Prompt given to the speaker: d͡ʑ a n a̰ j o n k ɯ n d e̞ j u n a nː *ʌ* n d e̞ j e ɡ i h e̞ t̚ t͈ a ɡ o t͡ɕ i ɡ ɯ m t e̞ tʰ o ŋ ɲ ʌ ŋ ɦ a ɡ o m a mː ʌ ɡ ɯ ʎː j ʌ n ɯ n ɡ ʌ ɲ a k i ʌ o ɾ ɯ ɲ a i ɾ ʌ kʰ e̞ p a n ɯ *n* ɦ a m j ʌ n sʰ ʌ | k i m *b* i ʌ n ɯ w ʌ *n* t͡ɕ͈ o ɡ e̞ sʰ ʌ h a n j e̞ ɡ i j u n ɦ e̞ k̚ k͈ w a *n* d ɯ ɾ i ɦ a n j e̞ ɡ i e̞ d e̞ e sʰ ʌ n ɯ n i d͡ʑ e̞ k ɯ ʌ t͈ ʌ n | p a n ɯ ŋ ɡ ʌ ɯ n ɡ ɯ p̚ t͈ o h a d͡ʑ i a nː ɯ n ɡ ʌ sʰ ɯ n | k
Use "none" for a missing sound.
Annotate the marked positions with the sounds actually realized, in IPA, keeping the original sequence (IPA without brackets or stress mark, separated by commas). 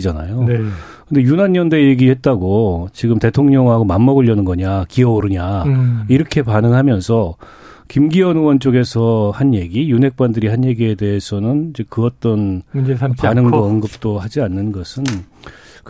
ʌ, ŋ, ɡ, n, n